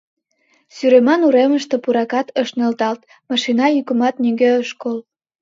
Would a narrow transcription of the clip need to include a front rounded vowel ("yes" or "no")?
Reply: yes